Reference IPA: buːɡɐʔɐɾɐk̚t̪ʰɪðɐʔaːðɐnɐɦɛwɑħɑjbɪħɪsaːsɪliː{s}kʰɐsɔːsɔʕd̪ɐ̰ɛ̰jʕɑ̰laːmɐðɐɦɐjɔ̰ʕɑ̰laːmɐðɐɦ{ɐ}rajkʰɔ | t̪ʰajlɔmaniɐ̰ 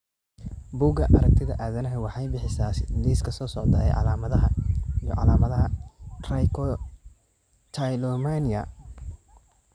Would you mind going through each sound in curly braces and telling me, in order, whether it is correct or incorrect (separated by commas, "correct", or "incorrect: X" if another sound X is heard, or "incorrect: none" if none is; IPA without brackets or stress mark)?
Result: correct, correct